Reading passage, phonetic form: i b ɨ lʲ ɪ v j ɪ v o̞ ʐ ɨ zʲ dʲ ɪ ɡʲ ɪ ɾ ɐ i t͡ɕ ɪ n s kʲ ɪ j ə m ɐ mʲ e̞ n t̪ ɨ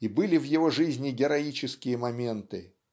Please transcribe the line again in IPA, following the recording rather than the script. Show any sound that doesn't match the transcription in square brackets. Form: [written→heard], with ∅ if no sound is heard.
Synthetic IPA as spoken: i b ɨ lʲ ɪ v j ɪ v o̞ ʐ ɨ zʲ [dʲ→nʲ] ɪ ɡʲ ɪ ɾ ɐ i t͡ɕ ɪ [n→∅] s kʲ ɪ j ə m ɐ mʲ e̞ n t̪ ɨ